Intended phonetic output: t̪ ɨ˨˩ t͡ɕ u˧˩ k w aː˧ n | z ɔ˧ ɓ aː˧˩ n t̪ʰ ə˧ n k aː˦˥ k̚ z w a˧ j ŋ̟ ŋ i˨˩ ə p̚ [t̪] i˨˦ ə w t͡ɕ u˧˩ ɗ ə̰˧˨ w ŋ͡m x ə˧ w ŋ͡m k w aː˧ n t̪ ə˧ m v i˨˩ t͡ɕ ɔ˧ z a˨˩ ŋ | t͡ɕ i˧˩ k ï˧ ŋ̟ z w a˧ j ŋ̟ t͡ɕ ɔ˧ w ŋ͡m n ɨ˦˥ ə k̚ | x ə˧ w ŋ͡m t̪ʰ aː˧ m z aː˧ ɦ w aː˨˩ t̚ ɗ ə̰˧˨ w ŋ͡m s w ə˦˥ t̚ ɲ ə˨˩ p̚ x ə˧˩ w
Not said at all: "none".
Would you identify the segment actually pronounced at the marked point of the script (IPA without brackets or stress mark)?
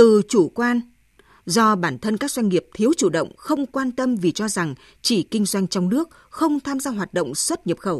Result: t̪ʰ